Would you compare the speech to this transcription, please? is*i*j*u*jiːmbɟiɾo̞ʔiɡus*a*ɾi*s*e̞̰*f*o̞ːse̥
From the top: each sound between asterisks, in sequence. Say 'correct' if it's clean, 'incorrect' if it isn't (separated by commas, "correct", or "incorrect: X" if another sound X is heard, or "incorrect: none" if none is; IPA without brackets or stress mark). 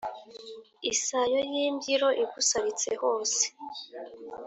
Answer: incorrect: a, incorrect: o, correct, incorrect: t͡s, incorrect: h